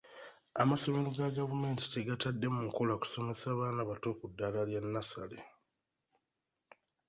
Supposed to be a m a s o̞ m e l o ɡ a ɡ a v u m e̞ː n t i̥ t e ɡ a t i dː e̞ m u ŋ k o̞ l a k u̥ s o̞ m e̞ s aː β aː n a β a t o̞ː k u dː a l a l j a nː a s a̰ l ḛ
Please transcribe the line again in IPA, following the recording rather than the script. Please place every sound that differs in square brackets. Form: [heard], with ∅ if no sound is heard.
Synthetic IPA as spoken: a m a s o̞ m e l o ɡ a ɡ a v u m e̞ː n t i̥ t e ɡ a t [a] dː e̞ m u ŋ k o̞ l a k u̥ s o̞ m e̞ s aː β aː n a β a t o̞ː k u dː a l a l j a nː a s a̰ l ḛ